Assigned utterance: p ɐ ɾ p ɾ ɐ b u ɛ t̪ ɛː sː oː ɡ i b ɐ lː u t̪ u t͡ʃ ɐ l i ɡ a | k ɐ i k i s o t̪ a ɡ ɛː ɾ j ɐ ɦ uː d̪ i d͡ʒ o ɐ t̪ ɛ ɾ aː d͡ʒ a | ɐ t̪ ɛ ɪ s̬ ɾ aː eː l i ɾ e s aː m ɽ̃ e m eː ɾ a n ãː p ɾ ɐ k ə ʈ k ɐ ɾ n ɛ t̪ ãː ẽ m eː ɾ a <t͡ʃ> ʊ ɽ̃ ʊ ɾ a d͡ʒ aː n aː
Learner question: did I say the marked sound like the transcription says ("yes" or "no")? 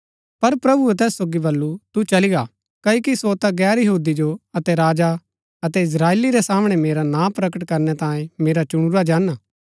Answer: yes